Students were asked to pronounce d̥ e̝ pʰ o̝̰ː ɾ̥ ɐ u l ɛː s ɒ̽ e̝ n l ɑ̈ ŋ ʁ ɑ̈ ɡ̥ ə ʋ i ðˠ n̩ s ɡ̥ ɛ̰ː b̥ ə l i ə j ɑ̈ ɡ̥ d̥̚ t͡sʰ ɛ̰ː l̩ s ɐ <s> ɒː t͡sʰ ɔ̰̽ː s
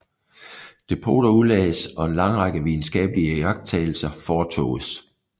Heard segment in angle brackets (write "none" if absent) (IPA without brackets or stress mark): f